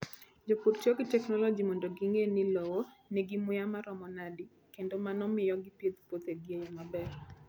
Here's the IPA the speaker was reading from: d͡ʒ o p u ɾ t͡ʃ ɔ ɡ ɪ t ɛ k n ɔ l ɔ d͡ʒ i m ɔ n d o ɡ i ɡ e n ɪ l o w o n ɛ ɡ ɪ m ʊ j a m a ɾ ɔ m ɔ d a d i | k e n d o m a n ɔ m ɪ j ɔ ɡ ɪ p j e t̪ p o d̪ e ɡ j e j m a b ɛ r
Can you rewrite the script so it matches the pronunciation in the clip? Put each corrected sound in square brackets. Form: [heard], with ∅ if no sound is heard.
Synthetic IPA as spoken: d͡ʒ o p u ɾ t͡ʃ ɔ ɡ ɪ t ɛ k n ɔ l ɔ d͡ʒ i m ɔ n d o ɡ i [ŋ] e n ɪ l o w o n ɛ ɡ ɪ m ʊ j a m a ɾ ɔ m ɔ [n] a d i | k e n d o m a n ɔ m ɪ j ɔ ɡ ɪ p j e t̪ p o [t̪] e ɡ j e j m a b ɛ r